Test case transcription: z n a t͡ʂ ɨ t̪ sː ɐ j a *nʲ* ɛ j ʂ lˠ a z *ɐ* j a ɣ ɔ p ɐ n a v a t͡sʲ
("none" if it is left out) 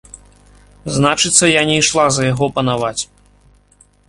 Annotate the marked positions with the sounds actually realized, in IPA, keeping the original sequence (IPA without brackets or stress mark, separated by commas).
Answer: nʲ, ɐ